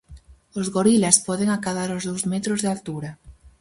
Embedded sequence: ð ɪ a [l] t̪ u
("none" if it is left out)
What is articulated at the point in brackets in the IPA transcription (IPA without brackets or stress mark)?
l